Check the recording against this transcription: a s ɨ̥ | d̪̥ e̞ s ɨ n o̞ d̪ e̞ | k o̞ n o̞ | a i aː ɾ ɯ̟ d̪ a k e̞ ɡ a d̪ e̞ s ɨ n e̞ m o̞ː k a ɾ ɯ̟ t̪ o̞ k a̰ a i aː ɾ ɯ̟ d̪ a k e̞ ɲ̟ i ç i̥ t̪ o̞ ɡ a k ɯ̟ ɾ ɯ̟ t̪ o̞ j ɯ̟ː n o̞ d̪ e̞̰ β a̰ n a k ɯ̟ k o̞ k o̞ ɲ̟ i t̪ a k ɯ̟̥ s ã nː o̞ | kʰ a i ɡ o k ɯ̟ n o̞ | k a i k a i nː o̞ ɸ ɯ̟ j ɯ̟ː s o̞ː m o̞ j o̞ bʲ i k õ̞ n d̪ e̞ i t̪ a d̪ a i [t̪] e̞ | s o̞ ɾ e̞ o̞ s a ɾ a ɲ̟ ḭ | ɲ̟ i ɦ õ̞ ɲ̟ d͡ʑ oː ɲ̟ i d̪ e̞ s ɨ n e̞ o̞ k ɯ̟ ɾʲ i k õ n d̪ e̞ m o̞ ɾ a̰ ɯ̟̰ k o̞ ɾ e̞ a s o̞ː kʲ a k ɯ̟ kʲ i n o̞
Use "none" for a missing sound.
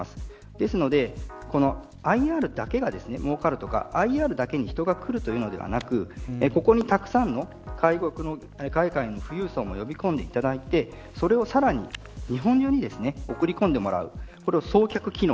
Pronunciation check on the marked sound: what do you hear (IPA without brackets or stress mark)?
t̪